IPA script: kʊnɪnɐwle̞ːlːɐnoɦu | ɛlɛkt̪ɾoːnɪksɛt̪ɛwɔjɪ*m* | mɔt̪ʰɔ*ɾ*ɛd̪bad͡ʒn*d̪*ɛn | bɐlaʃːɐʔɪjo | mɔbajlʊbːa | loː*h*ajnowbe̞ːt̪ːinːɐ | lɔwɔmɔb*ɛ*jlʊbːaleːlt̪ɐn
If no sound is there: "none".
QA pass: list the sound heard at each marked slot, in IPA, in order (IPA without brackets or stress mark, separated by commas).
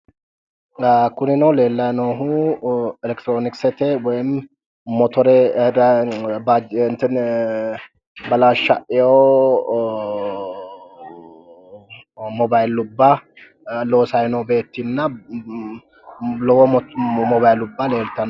m, ɾ, t̪, s, a